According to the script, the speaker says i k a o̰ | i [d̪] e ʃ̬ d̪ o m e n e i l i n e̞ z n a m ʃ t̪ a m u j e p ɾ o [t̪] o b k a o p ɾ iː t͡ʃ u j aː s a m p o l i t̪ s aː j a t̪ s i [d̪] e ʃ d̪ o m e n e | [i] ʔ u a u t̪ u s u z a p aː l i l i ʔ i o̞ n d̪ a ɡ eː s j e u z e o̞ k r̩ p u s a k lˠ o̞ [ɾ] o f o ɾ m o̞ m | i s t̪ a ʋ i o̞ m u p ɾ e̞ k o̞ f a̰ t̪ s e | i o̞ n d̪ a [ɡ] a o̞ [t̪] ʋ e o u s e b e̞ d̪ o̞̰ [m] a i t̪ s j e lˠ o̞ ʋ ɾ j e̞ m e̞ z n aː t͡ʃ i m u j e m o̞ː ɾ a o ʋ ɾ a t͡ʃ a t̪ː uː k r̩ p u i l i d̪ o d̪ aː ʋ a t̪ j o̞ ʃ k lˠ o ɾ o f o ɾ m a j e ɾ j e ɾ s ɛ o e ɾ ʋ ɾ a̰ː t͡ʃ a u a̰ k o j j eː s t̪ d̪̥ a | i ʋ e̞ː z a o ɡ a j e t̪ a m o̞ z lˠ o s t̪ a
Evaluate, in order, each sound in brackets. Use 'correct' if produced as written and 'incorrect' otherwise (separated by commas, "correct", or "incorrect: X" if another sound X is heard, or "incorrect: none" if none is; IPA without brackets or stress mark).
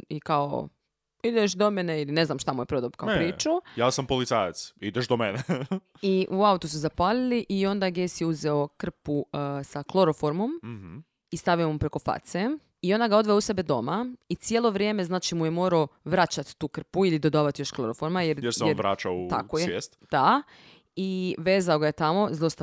correct, incorrect: d̪, correct, correct, correct, correct, incorrect: d̪, correct